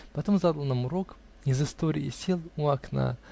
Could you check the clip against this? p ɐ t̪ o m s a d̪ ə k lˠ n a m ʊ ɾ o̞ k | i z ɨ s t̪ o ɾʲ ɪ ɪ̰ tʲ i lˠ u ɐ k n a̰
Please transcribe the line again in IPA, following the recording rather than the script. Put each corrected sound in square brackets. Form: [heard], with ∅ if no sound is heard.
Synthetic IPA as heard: p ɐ t̪ o m [z] a d̪ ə [∅] lˠ n a m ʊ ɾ o̞ k | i z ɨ s t̪ o ɾʲ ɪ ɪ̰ [sʲ] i lˠ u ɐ k n a̰

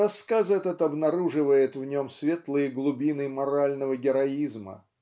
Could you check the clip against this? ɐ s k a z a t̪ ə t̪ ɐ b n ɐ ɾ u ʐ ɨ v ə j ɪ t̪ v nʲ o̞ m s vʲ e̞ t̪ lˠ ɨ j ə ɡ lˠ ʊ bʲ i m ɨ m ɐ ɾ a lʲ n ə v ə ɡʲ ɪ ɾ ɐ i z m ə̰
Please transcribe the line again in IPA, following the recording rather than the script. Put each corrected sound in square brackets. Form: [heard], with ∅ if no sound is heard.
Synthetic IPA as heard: ɐ s k a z [ɛ] t̪ ə t̪ ɐ b n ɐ ɾ u ʐ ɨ v ə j ɪ t̪ v nʲ o̞ m s vʲ e̞ t̪ lˠ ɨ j ə ɡ lˠ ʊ bʲ i [n] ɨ m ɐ ɾ a lʲ n ə v ə ɡʲ ɪ ɾ ɐ i z m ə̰

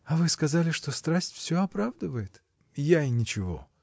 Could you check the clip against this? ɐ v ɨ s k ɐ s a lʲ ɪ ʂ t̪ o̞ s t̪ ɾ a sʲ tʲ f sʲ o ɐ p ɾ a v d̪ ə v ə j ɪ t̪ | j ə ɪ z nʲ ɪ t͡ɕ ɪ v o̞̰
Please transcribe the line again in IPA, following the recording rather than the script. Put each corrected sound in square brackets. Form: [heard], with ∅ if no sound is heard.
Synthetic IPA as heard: ɐ v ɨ s k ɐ [z] a lʲ ɪ ʂ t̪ o̞ s t̪ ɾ a sʲ tʲ f sʲ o ɐ p ɾ a v d̪ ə v ə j ɪ t̪ | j [a] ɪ [∅] nʲ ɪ t͡ɕ ɪ v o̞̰

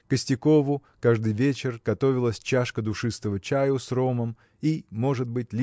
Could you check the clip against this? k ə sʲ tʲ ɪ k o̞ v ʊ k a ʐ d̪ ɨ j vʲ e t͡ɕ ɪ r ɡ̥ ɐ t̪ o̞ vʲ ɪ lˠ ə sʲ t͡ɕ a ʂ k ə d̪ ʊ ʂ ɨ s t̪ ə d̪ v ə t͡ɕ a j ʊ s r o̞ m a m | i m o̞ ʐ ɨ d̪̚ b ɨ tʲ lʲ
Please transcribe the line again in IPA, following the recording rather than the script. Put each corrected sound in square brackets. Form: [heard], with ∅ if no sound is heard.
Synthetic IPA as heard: k ə sʲ tʲ ɪ k o̞ v ʊ k a ʐ d̪ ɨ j vʲ e t͡ɕ ɪ r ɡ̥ ɐ t̪ o̞ vʲ ɪ lˠ ə sʲ t͡ɕ a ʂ k ə d̪ ʊ ʂ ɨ s t̪ ə [∅] v ə t͡ɕ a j ʊ s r o̞ m [ə] m | i m o̞ ʐ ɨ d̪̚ b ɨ tʲ lʲ

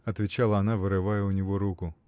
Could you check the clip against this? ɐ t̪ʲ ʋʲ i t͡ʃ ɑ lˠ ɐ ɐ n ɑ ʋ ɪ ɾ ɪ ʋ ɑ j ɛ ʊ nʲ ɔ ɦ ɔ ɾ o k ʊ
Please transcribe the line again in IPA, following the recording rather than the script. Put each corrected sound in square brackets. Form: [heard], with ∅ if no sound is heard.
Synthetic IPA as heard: ɐ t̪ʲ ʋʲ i t͡ʃ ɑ lˠ ɐ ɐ n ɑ ʋ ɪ ɾ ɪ ʋ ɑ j ɛ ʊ nʲ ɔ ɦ ɔ ɾ [u] k ʊ

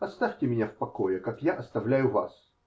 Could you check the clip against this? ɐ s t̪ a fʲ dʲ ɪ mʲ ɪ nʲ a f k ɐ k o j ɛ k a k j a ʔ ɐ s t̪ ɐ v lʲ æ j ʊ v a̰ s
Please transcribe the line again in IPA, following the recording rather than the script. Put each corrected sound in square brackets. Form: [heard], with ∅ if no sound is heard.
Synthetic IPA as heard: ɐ s t̪ a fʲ [tʲ] ɪ mʲ ɪ nʲ a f [p] ɐ k o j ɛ k a k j a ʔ ɐ s t̪ ɐ v lʲ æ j ʊ v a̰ s

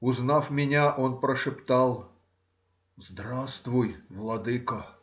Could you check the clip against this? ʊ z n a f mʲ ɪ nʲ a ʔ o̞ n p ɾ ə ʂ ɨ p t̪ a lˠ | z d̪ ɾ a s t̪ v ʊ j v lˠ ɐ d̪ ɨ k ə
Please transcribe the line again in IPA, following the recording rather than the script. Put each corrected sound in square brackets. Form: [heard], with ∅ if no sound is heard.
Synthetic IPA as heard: ʊ z n a f mʲ ɪ nʲ a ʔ o̞ n p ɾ ə ʂ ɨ p t̪ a lˠ | z d̪ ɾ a s t̪ v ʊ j v lˠ ɐ d̪ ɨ k ə

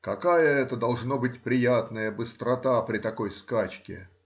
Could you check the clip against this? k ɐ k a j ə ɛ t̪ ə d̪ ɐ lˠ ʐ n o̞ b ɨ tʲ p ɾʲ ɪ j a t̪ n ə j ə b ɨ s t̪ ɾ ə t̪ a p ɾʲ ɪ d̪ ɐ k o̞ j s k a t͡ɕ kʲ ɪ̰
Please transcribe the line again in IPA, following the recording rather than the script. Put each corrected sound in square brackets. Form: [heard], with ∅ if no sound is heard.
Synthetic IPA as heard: k ɐ k a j ə ɛ t̪ ə d̪ ɐ lˠ ʐ n o̞ b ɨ tʲ p ɾʲ ɪ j a t̪ n ə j ə b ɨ s t̪ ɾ [ɐ] t̪ a p ɾʲ ɪ [t̪] ɐ k o̞ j s k a t͡ɕ kʲ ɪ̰

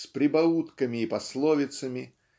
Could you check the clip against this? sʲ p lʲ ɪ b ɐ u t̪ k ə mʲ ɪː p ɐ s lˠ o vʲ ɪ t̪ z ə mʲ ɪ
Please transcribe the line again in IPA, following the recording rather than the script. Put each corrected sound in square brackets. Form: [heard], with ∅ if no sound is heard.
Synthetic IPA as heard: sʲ p [ɾʲ] ɪ b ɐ u t̪ k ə mʲ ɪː p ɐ s lˠ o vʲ ɪ t̪ [s] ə mʲ ɪ

